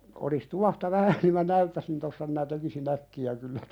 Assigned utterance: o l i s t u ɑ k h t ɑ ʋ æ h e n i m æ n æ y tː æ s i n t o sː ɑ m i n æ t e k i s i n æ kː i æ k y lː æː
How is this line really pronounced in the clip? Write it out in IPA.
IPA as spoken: o l i s t u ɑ h t ɑ ʋ æ h æ n i m æ n æ y tː æ s i n t o sː ɑ m i n æ t e k i s i n æ kː i æ k y lː æ